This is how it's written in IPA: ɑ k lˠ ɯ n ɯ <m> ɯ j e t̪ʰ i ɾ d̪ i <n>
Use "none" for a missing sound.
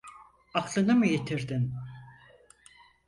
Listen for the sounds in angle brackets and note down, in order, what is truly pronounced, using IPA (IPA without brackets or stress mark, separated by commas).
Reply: m, n